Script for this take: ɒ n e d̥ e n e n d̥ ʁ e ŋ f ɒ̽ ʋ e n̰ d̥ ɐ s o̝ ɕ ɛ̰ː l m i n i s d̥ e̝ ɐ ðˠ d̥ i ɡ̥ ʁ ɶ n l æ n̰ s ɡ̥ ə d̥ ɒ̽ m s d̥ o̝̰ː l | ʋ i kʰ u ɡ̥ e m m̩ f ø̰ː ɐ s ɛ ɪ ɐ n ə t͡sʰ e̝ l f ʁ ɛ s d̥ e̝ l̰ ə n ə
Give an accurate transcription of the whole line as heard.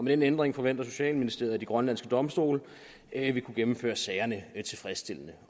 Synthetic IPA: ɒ m e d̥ e n e n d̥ ʁ e ŋ f ɒ̽ ʋ e n̰ d̥ ɐ s o̝ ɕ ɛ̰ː l m i n i s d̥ e̝ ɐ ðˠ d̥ i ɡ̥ ʁ ɶ n l æ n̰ s ɡ̥ ə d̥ ɒ̽ m s d̥ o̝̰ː l | ʋ i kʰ u ɡ̥ e m m̩ f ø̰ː ɐ s ɛ ɪ ɐ n ə t͡sʰ e̝ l f ʁ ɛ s d̥ e̝ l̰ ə n ə